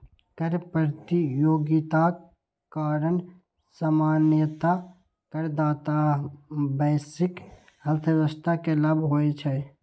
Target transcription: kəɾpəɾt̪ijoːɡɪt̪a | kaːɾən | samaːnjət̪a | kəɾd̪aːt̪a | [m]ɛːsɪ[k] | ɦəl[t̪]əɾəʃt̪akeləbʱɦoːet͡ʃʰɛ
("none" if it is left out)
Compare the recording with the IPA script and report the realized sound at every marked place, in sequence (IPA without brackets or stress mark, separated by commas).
b, k, t̪ʰ